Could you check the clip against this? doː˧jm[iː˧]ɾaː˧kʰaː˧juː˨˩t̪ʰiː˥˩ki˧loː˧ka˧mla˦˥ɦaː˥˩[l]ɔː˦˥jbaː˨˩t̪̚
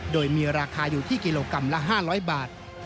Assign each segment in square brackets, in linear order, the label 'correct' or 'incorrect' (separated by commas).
correct, incorrect